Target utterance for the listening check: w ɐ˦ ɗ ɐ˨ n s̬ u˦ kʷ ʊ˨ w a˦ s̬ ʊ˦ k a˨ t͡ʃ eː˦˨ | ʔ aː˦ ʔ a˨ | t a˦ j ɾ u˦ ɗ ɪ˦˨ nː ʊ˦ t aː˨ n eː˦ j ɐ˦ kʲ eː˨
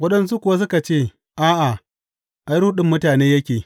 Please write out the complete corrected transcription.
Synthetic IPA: w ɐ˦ ɗ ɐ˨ n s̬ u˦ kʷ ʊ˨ w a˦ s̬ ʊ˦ k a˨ t͡ʃ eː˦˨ | ʔ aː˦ ʔ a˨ | ʔ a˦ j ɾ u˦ ɗ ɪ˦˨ mː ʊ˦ t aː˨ n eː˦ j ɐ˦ kʲ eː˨

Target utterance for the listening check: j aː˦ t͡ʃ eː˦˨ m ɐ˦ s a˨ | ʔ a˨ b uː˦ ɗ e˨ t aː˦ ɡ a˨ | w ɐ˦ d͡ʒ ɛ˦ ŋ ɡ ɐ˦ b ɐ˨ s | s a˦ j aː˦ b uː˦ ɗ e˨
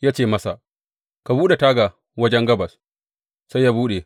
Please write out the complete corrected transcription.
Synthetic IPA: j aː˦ t͡ʃ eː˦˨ m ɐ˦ s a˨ | k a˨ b uː˦ ɗ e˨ t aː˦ ɡ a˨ | w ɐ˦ d͡ʒ ɛ˦ ŋ ɡ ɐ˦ b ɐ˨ s | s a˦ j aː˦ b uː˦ ɗ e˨

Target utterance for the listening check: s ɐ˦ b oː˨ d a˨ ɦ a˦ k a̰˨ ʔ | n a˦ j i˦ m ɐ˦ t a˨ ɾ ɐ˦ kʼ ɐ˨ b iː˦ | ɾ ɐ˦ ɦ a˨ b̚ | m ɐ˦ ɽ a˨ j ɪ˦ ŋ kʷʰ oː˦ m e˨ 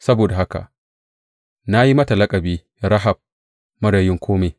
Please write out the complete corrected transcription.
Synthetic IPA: s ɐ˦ b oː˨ d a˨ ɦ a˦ k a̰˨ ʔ | n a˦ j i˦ m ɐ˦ t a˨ l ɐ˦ kʼ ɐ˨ b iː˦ | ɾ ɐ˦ ɦ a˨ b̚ | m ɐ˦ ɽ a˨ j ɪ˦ ŋ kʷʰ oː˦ m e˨

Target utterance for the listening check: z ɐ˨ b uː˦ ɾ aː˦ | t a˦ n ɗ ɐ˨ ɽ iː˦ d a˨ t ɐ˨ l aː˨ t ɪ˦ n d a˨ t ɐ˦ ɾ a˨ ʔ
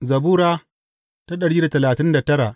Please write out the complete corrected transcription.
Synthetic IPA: z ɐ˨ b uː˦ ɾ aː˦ | t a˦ ɗ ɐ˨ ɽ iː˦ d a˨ t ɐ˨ l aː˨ t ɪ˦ n d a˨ t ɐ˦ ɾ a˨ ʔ

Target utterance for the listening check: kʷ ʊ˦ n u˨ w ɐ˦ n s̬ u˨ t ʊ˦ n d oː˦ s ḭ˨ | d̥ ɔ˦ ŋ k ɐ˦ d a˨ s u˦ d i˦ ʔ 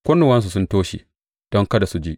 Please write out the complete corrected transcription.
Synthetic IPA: kʷ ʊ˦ n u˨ w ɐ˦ n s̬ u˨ s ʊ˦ n t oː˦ ʃ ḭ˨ | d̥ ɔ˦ ŋ k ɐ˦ d a˨ s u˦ d͡ʒ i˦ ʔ

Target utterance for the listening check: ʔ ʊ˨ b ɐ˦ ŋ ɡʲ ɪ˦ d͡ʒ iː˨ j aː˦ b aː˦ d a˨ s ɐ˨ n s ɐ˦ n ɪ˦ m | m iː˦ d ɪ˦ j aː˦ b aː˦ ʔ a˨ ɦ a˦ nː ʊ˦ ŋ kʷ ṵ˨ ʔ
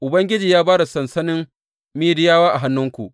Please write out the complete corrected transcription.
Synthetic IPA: ʔ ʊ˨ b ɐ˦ ŋ ɡʲ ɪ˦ d͡ʒ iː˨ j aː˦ b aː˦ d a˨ s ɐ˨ n s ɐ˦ n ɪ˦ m | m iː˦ d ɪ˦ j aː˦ w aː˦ ʔ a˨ ɦ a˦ nː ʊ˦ ŋ kʷ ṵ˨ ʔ

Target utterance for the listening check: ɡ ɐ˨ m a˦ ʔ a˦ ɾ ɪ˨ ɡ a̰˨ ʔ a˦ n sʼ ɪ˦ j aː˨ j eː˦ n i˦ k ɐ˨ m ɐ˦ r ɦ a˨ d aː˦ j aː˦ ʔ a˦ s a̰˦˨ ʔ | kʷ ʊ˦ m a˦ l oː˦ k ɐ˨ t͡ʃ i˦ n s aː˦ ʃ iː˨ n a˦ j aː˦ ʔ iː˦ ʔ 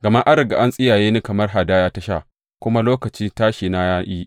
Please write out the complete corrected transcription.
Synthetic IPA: ɡ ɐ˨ m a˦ ʔ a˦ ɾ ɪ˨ ɡ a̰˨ ʔ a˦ n sʼ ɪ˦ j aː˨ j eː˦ n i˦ k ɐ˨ m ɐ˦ r ɦ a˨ d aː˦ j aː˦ t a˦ ʃ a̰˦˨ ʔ | kʷ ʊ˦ m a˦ l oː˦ k ɐ˨ t͡ʃ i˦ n t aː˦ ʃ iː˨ n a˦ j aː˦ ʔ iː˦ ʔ

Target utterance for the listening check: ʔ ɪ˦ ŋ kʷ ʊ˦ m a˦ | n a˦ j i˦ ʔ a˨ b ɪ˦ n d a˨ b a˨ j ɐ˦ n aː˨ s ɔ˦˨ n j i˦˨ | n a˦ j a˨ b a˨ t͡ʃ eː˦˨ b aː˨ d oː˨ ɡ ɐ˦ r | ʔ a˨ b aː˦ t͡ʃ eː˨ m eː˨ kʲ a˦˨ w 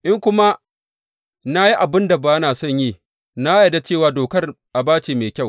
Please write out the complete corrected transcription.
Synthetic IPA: ʔ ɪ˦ ŋ kʷ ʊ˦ m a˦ | n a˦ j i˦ ʔ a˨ b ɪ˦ n d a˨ b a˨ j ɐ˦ n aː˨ s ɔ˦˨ ɲ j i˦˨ | n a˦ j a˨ d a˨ t͡ʃ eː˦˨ w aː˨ d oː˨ k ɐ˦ r | ʔ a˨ b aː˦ t͡ʃ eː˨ m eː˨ kʲ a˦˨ w

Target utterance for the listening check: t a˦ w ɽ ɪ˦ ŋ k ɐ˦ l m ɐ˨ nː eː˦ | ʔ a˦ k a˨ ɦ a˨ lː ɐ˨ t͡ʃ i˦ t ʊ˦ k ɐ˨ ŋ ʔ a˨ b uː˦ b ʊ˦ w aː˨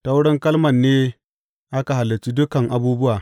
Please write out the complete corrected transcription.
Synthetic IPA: t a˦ w ɽ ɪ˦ ŋ k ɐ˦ l m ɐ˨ nː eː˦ | ʔ a˦ k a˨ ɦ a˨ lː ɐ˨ t͡ʃ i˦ d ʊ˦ k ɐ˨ ŋ ʔ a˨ b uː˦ b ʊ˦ w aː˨

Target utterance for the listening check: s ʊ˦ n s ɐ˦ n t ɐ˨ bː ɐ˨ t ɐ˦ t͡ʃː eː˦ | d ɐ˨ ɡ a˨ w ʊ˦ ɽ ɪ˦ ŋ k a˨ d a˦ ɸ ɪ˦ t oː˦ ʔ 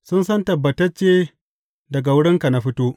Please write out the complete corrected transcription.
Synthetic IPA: s ʊ˦ n s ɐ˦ n t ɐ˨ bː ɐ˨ t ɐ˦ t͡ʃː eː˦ | d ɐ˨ ɡ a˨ w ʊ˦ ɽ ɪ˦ ŋ k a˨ n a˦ ɸ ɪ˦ t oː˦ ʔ

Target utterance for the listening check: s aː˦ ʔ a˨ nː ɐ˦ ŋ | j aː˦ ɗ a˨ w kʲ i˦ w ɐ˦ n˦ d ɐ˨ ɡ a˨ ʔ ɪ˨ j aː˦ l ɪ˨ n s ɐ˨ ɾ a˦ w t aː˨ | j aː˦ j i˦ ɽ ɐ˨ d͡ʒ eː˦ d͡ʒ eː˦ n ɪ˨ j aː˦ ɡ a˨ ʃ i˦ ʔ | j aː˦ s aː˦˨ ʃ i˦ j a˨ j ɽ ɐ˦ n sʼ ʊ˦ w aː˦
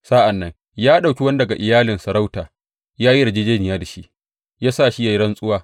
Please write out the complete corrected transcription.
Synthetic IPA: s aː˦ ʔ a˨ nː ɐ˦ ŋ | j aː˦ ɗ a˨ w kʲ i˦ w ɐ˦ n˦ d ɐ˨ ɡ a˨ ʔ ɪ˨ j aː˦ l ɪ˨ n s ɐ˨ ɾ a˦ w t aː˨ | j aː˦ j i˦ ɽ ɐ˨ d͡ʒ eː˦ d͡ʒ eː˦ n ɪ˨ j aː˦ d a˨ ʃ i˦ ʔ | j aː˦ s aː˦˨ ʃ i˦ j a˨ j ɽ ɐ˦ n sʼ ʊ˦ w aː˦

